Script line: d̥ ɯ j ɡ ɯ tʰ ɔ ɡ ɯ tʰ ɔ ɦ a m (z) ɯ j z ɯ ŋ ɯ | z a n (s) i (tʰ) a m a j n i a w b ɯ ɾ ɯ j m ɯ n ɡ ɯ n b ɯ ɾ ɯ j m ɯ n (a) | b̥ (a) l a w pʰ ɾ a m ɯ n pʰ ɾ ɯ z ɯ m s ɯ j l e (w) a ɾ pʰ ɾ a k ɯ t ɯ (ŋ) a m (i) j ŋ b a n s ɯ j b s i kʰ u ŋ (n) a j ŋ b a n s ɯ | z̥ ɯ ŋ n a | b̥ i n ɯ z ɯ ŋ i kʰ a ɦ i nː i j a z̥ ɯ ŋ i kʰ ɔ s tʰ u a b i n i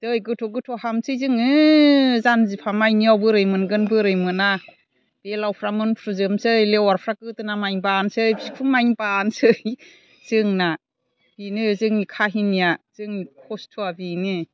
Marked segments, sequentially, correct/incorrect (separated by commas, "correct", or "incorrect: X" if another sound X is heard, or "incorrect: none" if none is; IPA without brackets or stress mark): incorrect: s, incorrect: z, incorrect: pʰ, correct, incorrect: e, correct, incorrect: n, incorrect: a, incorrect: m